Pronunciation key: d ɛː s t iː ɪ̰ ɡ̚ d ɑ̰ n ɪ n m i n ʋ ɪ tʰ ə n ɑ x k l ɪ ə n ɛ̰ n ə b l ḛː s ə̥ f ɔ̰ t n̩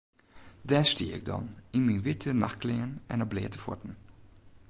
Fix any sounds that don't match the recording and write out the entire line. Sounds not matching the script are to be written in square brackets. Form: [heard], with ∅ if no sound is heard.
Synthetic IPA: d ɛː s t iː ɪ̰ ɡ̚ d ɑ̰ n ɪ n m i n ʋ ɪ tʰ ə n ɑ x k l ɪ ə n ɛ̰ n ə b l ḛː [t] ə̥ f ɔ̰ t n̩

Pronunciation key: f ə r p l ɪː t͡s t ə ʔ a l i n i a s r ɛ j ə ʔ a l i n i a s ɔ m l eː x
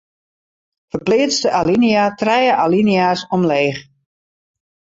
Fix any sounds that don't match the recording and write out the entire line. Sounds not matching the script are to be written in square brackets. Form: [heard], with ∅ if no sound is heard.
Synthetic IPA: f ə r p l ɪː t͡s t ə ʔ a l i n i a [t] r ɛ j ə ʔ a l i n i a s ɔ m l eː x

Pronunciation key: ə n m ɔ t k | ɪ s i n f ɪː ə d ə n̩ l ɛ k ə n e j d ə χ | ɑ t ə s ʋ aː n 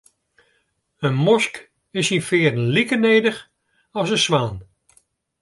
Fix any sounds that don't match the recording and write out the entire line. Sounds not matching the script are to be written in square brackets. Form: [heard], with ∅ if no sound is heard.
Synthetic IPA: ə n m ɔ [s] k | ɪ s i n f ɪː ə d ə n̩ l [i] k ə n e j d ə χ | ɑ [s] ə s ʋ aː n

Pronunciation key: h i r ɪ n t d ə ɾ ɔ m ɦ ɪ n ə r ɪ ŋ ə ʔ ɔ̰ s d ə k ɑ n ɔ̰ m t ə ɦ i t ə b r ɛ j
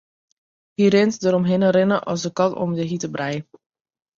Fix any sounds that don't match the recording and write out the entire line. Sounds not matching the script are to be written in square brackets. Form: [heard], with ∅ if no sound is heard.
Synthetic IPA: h i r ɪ n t d ə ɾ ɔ m ɦ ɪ n ə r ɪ [n] ə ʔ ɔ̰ s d ə k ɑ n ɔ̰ m [d] ə ɦ i t ə b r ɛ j

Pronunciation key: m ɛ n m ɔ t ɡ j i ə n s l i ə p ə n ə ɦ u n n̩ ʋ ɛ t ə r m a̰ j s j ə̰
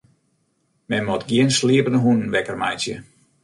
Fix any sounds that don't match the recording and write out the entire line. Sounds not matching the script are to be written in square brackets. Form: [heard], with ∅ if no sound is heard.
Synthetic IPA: m ɛ n m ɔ t ɡ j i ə n s l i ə p ə n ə ɦ u n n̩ ʋ ɛ [k] ə r m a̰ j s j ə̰

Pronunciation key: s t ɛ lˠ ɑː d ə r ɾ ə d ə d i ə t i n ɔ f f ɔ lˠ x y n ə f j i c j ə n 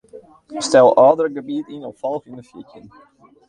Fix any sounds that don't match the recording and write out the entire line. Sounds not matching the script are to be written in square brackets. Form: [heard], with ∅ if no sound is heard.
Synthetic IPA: s t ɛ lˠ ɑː d ə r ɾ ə [ɡ] ə [b] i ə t i n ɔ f f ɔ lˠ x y n ə f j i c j ə n

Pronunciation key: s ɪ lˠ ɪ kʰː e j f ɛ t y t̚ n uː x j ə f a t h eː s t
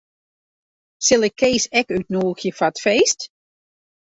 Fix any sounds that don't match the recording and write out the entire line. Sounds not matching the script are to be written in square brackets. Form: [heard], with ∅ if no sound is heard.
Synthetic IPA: s ɪ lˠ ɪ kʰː e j [s] ɛ [k] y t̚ n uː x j ə f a t [f] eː s t

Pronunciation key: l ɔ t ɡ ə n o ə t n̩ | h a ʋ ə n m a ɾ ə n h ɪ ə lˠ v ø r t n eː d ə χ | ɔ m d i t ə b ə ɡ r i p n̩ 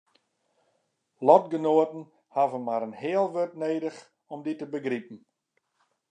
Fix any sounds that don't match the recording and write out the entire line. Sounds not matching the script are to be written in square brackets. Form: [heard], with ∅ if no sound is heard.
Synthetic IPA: l ɔ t ɡ ə n o ə t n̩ | h a [v] ə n m a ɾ ə n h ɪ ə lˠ [ʋ] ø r t n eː d ə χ | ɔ m d i t ə b ə ɡ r i p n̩

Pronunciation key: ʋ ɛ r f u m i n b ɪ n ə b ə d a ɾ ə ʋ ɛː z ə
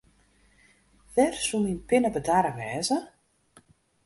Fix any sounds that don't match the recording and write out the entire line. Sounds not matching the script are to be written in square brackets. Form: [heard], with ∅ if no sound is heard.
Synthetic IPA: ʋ ɛ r [s] u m i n [p] ɪ n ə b ə d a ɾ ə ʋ ɛː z ə

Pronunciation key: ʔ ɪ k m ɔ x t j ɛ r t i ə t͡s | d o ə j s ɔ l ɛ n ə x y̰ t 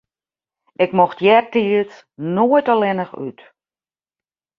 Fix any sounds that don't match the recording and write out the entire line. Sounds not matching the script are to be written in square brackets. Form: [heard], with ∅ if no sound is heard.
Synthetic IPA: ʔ ɪ k m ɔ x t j ɛ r t i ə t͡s | [n] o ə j [t] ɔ l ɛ n ə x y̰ t

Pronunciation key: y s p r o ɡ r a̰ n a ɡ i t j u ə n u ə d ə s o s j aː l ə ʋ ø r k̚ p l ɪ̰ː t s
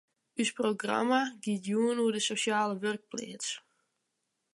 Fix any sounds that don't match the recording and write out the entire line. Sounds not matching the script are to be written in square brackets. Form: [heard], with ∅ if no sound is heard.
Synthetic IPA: y s p r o ɡ r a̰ [m] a ɡ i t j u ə n u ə d ə s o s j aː l ə ʋ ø r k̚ p l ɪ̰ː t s

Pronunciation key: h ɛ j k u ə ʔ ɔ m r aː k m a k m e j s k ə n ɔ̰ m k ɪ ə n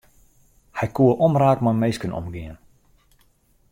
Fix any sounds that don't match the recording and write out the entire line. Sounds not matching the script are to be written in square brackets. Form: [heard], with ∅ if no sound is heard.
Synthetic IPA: h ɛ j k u ə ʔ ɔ m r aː k m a [∅] m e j s k ə n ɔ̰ m [ɡ] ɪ ə n

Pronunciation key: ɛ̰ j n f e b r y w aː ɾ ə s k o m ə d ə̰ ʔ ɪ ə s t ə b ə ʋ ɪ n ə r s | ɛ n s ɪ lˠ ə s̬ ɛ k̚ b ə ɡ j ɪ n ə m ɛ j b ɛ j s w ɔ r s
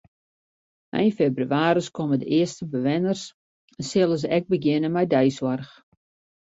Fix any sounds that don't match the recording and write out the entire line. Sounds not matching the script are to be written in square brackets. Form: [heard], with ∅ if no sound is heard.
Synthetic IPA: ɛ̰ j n f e b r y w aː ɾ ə s k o m ə d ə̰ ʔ ɪ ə s t ə b ə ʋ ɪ n ə r s | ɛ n s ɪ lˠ ə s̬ ɛ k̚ b ə ɡ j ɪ n ə m ɛ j [d] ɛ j s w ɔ r [x]

